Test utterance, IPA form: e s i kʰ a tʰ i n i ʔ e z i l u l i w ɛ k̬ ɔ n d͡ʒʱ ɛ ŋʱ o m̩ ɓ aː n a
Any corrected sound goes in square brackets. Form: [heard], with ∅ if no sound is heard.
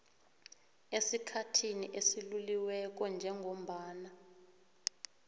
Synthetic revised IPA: e s i kʰ a tʰ i n i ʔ e [s] i l u l i w ɛ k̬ ɔ n d͡ʒʱ ɛ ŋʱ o m̩ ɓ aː n a